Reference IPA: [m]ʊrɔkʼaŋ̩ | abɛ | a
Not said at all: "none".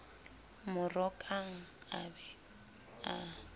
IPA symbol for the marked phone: m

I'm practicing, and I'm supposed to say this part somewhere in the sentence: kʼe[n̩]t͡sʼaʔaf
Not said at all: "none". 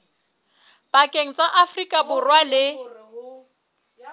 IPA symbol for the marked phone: ŋ̩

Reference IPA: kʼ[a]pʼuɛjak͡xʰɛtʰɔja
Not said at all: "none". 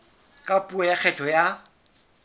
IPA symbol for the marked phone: a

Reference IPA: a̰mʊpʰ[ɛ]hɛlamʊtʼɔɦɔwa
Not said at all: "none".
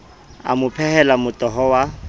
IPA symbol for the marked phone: ɛ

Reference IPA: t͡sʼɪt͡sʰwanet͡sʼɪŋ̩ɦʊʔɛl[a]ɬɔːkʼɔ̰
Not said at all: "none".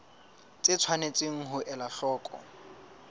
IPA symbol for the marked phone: a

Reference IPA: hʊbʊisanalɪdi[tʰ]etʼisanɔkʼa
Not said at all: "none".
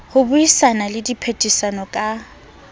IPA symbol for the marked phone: pʰ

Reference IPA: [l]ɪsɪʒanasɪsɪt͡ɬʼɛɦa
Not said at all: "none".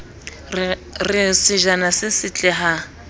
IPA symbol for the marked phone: r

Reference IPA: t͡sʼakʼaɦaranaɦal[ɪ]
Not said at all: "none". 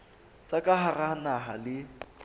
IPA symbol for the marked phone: ɪ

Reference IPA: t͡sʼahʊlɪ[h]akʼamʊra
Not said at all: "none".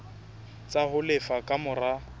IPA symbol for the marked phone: f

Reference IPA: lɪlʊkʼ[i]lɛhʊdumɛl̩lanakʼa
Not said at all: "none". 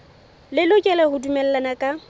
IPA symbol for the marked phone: ɛ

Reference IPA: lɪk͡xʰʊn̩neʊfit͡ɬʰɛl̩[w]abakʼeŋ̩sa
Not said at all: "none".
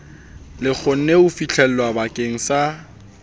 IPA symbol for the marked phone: w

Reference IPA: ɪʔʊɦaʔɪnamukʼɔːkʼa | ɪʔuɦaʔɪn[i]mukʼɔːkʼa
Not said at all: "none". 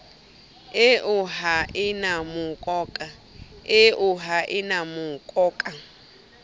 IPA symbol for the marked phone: a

